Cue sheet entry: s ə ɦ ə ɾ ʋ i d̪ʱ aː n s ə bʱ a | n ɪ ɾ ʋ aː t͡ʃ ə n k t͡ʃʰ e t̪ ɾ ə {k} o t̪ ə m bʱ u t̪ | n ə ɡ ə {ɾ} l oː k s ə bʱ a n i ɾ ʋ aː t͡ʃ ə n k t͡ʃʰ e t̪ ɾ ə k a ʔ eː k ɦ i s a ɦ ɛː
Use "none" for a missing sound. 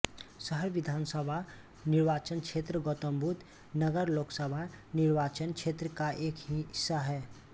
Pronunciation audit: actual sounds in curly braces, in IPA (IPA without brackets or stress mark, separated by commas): ɡ, ɾ